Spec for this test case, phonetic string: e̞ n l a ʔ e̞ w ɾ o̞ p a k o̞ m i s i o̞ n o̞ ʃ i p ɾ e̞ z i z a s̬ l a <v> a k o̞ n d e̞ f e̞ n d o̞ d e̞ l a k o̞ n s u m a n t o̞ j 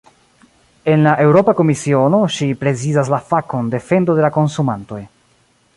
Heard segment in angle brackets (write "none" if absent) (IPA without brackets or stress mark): f